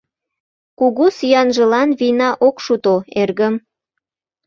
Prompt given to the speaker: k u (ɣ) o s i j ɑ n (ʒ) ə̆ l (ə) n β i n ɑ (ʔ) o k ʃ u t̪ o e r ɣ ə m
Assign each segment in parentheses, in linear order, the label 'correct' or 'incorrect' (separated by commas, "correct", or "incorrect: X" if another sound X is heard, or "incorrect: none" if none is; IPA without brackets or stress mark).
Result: correct, correct, incorrect: ɑ, correct